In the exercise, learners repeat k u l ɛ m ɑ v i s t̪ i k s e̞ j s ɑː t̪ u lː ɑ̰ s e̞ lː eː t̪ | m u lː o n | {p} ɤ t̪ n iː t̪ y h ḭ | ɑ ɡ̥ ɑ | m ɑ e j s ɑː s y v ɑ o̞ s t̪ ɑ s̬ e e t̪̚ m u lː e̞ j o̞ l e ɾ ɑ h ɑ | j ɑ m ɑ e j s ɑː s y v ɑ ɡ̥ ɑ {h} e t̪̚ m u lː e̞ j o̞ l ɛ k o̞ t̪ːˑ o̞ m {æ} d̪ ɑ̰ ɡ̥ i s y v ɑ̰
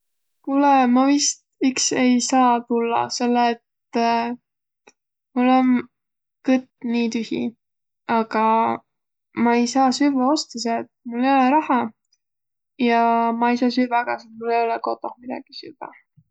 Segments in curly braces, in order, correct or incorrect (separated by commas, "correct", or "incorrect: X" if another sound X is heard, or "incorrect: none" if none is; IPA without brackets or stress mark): incorrect: k, incorrect: s, incorrect: i